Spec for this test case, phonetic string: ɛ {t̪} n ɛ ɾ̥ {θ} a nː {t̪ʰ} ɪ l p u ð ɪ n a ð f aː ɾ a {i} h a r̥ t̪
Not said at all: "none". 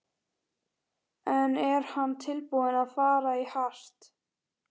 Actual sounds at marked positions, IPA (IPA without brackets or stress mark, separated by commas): none, h, t̪ʰ, i